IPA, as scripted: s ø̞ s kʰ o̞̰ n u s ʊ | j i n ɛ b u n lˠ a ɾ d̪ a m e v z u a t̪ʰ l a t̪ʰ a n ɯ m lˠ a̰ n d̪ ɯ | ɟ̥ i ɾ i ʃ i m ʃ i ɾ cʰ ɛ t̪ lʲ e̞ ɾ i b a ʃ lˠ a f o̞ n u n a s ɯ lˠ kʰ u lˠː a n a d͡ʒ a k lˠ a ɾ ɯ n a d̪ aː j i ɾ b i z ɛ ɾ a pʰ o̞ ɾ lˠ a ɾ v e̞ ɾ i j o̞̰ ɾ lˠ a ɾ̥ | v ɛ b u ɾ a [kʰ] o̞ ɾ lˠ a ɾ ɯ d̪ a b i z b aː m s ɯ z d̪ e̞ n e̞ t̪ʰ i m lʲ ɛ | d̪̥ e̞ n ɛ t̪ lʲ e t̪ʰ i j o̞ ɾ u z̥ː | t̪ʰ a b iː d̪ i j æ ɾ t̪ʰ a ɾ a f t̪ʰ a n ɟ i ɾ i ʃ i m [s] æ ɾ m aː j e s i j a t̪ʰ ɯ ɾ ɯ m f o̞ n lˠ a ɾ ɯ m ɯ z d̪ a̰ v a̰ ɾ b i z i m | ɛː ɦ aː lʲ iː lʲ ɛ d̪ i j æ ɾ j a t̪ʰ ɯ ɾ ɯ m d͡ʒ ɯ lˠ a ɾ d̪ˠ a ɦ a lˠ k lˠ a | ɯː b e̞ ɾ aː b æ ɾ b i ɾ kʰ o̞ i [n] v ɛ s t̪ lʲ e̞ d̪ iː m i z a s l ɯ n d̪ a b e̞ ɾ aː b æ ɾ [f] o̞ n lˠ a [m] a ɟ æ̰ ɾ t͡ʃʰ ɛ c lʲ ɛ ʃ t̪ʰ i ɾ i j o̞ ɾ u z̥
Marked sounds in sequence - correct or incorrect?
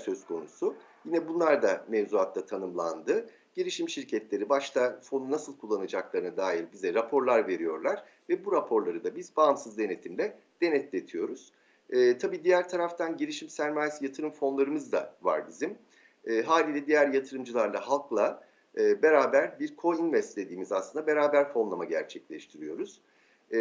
incorrect, correct, correct, correct, correct

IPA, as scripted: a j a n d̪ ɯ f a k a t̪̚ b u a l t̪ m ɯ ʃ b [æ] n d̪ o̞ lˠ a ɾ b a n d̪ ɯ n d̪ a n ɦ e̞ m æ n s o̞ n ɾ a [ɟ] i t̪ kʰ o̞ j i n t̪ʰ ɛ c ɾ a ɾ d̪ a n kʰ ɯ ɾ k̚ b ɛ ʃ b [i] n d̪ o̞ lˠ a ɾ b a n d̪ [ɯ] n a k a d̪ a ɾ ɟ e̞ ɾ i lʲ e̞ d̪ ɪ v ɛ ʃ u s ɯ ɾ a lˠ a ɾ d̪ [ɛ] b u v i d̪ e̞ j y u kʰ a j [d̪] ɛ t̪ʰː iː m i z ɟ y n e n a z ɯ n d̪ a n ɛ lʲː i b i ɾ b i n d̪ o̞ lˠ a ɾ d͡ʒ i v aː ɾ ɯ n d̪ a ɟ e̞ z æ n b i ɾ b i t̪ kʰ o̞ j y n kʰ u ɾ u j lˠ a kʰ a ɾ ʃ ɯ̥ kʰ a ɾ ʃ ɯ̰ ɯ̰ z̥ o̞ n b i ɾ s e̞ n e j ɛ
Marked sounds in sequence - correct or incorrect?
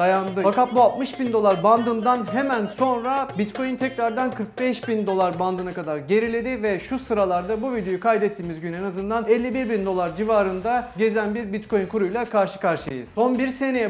incorrect, incorrect, correct, correct, incorrect, correct

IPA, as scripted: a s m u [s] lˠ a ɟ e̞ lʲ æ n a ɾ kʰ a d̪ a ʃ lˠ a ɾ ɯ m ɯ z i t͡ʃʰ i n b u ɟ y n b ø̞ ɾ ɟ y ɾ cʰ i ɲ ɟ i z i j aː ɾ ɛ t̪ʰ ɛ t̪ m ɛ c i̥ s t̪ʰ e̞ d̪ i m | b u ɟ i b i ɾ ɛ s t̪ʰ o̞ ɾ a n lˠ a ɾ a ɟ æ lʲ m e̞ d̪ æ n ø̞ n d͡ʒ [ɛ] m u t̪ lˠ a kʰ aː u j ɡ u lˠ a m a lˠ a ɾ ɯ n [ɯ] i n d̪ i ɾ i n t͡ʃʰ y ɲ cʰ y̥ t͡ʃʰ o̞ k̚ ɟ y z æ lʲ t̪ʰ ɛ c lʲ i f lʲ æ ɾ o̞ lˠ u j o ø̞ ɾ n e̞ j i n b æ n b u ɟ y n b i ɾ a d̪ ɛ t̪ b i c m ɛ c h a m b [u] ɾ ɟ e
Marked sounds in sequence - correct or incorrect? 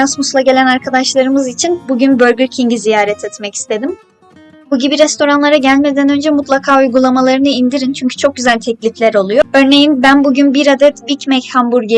correct, correct, correct, correct

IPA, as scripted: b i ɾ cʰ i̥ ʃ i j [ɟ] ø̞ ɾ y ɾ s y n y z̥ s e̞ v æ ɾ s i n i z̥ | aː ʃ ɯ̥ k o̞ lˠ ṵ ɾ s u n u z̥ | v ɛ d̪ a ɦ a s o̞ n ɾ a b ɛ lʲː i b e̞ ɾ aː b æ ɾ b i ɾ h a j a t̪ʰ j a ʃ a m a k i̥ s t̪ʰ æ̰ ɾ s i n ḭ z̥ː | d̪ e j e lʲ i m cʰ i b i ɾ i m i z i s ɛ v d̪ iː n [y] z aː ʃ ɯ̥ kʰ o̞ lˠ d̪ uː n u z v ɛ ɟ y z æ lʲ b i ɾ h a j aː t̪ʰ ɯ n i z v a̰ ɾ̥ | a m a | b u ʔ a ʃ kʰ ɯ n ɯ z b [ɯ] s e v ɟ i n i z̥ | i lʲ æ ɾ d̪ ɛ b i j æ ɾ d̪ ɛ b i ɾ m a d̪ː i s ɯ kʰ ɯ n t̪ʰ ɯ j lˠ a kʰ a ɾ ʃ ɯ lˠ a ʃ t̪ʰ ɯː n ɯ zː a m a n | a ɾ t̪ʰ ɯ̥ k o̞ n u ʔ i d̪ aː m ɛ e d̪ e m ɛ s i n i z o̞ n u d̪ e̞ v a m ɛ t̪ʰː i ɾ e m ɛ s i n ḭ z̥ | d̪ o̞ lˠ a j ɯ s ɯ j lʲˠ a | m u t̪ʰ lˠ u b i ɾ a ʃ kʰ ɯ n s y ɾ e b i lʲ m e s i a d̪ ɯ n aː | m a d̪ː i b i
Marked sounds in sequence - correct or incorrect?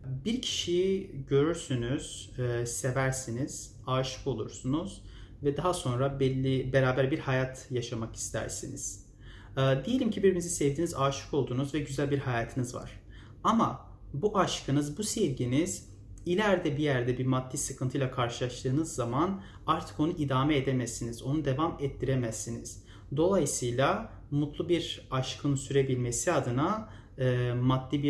correct, incorrect, incorrect

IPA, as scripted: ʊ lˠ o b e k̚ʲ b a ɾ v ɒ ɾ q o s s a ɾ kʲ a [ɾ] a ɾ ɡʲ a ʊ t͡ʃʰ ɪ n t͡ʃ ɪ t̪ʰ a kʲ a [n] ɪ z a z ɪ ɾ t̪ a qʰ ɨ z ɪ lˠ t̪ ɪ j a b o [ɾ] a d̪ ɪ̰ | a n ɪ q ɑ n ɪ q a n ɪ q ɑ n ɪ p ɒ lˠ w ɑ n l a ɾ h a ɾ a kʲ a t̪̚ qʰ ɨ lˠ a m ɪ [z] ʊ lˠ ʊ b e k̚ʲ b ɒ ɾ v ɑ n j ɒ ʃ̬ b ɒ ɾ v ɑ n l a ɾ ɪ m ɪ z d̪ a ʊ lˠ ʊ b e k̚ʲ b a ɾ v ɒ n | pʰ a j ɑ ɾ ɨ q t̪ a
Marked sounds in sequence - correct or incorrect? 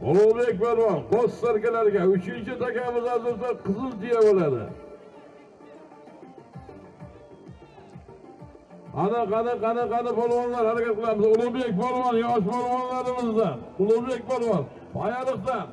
incorrect, incorrect, incorrect, correct

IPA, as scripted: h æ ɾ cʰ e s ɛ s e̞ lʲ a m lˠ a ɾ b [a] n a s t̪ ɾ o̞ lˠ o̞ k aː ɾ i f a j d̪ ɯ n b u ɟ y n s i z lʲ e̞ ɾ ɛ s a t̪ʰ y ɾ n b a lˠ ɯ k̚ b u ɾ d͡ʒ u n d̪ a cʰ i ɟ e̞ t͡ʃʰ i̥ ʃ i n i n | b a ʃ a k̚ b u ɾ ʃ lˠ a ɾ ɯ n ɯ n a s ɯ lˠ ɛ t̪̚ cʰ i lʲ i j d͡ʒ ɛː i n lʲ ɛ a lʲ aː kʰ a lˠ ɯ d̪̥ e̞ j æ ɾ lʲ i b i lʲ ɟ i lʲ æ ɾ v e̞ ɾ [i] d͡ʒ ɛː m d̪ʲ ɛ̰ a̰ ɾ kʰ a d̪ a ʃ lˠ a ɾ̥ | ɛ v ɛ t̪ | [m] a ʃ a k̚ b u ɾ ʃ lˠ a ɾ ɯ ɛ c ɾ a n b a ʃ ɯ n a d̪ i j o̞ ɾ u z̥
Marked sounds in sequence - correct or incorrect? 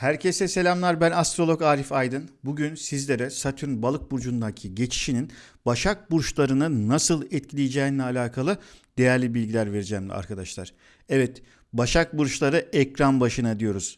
incorrect, correct, incorrect

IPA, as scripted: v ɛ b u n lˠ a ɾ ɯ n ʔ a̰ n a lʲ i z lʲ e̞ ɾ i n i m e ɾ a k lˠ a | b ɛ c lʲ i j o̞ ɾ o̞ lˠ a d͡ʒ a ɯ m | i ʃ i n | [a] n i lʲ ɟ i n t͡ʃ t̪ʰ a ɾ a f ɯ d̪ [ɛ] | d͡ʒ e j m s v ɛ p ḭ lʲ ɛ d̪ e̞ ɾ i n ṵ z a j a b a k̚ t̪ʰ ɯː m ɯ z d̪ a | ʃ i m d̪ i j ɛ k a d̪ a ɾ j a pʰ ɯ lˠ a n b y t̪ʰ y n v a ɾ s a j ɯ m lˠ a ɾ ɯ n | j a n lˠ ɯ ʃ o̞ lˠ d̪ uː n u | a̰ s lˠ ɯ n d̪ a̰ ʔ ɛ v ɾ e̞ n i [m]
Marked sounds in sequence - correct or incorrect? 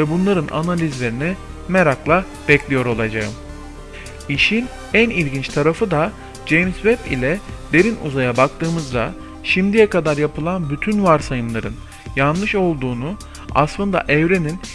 incorrect, incorrect, incorrect

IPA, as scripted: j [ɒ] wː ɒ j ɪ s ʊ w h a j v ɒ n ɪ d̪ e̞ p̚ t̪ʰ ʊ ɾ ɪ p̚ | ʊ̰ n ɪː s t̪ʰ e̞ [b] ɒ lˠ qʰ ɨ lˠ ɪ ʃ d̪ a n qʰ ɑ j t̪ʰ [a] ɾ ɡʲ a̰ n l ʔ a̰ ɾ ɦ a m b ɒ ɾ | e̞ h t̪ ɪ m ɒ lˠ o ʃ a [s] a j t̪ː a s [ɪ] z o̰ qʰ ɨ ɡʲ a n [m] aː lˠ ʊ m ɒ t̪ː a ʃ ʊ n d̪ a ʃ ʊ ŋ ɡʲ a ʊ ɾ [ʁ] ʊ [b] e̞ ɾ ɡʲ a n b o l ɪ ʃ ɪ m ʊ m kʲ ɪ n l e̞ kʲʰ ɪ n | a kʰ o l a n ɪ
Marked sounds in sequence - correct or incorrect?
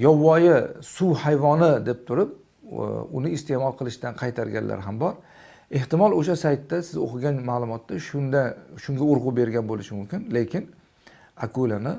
correct, incorrect, correct, correct, correct, correct, correct, correct

